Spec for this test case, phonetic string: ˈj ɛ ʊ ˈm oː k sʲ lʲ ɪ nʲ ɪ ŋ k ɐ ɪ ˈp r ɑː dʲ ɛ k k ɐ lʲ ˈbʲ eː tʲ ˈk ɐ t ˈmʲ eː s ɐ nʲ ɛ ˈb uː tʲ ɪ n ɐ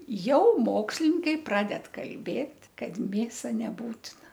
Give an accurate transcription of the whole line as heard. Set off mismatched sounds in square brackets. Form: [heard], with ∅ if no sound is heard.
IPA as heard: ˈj ɛ ʊ ˈm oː k sʲ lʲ ɪ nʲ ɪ ŋ k ɐ ɪ ˈp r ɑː dʲ ɛ [t] k ɐ lʲ ˈbʲ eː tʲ ˈk ɐ t ˈmʲ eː s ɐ nʲ ɛ ˈb uː tʲ ɪ n ɐ